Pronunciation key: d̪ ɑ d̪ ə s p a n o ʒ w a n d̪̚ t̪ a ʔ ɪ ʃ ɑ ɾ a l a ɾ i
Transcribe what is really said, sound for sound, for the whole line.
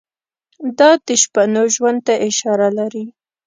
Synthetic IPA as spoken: d̪ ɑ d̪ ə ʃ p a n o ʒ w a n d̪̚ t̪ a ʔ ɪ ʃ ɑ ɾ a l a ɾ i